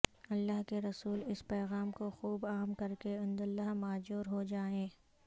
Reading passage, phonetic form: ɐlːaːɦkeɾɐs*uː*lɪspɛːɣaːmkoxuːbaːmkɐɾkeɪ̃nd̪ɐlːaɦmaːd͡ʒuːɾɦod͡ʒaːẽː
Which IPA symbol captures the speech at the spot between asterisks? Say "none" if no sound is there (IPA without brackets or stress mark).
uː